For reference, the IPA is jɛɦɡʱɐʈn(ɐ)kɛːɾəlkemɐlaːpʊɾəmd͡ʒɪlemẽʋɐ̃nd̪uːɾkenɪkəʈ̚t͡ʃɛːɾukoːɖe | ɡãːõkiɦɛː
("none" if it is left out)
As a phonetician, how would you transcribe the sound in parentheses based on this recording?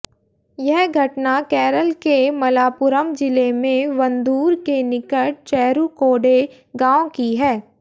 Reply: a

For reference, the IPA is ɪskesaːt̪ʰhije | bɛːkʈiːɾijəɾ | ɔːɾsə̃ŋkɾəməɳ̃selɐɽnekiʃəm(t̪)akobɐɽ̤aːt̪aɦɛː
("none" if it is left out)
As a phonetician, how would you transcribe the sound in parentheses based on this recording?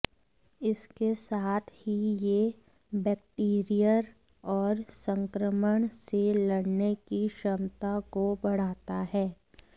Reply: t̪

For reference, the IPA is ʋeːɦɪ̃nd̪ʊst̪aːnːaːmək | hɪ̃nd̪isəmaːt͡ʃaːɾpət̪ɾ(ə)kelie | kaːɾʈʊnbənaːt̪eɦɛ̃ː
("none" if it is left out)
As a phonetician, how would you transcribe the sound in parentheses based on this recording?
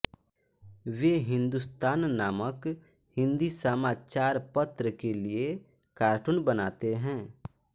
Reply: ə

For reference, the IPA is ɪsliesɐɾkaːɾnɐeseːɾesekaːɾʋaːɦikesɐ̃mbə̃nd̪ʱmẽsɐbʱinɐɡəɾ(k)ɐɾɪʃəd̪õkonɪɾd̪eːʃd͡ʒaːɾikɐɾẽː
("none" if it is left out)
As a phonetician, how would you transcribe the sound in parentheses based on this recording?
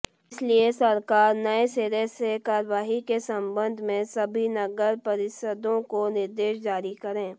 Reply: p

